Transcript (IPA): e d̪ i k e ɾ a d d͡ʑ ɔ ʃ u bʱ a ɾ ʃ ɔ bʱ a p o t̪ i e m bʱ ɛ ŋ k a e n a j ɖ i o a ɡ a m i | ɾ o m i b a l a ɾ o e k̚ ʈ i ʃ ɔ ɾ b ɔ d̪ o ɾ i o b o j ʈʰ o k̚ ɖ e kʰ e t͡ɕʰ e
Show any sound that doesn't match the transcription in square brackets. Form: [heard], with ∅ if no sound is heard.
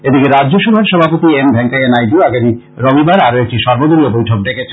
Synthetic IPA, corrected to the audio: e d̪ i k e ɾ a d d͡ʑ [o] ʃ u bʱ a ɾ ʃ ɔ bʱ a p o t̪ i e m bʱ ɛ ŋ k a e n a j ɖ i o a ɡ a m i | ɾ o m i b a [ɾ] a ɾ o e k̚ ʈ i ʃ ɔ ɾ b [o] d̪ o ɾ i o b o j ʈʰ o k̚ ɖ e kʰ e t͡ɕʰ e